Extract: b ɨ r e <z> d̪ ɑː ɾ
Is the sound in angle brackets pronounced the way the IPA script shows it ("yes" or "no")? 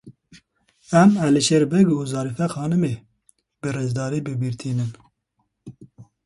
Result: yes